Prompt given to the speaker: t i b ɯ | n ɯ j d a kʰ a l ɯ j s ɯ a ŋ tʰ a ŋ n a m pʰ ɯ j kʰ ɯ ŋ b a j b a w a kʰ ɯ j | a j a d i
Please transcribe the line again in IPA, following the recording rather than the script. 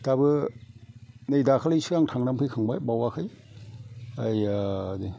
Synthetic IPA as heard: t a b ɯ | n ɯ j d a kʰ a l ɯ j s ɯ a ŋ tʰ a ŋ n a m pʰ ɯ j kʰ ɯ ŋ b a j b a w a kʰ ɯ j | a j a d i

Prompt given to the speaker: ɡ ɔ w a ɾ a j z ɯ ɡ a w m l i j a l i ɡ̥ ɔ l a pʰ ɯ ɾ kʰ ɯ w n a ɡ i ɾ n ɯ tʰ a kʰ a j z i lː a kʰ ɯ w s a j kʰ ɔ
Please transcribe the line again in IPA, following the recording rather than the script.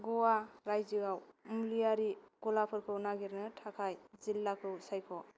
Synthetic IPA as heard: ɡ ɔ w a ɾ a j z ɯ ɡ a w m l i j a ɾ i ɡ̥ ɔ l a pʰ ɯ ɾ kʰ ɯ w n a ɡ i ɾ n ɯ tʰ a kʰ a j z i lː a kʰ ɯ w s a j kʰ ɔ

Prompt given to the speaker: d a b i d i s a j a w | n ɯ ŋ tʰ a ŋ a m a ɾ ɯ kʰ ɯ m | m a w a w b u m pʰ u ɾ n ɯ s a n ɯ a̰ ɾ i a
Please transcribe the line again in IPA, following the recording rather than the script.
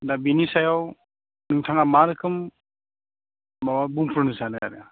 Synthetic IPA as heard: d a b i n i s a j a w | n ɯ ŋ tʰ a ŋ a m a ɾ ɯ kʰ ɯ m | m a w a b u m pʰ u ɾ n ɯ s a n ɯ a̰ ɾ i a

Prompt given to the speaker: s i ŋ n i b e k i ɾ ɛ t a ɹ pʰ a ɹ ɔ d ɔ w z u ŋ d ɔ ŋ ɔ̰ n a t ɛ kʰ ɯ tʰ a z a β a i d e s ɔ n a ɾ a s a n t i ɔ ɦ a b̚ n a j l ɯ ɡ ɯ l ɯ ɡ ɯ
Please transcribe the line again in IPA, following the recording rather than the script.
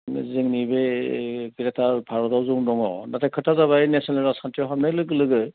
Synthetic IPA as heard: z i ŋ n i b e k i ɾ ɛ t a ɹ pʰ a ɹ ɔ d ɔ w z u ŋ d ɔ ŋ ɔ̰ n a t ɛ kʰ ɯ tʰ a z a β a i n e s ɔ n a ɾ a s a n t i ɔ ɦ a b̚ n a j l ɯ ɡ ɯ l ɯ ɡ ɯ

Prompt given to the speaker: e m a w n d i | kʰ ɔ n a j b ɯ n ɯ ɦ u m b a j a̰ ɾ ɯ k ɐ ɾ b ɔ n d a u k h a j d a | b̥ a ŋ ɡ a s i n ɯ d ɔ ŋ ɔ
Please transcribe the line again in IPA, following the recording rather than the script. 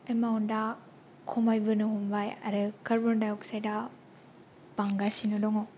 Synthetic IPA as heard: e m a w n d a | kʰ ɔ m a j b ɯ n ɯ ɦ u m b a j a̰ ɾ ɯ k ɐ ɾ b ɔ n d a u k s a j d a | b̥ a ŋ ɡ a s i n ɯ d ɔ ŋ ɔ

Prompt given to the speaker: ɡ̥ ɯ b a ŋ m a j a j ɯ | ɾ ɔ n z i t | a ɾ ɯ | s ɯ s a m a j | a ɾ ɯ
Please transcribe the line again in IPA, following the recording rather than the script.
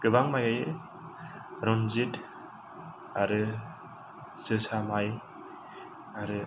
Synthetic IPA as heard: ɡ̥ ɯ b a ŋ m a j a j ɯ | ɾ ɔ n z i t | a ɾ ɯ | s ɯ s a m a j | a ɾ ɯ

